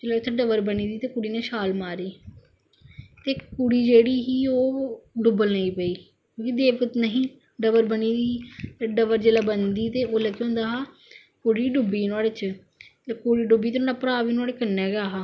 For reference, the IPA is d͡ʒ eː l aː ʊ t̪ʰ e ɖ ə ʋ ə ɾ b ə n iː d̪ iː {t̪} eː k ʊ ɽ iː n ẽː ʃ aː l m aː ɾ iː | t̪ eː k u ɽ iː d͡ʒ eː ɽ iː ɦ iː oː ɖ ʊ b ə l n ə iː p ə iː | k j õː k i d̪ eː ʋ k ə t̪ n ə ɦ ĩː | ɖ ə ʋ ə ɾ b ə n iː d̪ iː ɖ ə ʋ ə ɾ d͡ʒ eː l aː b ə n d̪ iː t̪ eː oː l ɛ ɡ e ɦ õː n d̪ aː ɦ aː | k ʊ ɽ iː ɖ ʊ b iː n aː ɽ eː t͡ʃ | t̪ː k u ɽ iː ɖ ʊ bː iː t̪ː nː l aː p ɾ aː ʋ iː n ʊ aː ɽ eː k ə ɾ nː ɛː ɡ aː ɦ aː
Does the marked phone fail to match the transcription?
no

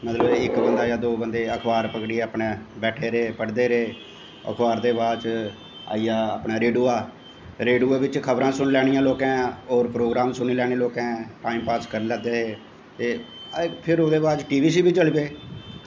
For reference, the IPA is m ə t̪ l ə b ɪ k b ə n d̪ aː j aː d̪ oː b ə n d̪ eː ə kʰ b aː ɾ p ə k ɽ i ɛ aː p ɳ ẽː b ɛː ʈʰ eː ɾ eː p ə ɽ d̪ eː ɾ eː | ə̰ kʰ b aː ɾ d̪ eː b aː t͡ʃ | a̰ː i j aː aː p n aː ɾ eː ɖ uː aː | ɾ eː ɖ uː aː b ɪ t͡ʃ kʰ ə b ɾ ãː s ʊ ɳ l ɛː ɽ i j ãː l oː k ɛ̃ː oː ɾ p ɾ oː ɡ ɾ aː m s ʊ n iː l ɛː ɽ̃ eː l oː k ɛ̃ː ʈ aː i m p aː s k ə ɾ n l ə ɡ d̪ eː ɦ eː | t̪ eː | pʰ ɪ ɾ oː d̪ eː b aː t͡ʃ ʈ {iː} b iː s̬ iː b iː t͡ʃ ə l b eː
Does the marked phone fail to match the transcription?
no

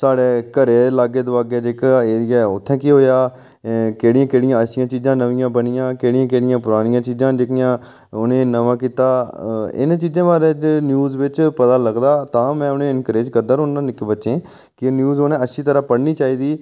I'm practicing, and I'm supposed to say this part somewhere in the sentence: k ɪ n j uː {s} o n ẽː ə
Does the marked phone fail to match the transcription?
yes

